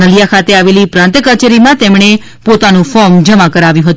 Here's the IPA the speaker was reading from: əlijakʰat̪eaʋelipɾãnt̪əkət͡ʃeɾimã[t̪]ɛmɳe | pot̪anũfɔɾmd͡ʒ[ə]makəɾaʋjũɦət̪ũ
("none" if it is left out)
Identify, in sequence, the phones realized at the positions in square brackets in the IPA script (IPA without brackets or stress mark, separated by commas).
t̪, ə